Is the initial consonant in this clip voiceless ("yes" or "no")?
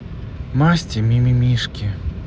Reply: no